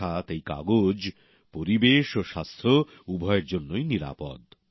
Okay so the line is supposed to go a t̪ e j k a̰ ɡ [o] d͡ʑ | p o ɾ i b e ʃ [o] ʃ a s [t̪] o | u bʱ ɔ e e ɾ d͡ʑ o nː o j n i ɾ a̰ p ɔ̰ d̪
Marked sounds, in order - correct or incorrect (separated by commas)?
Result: correct, correct, incorrect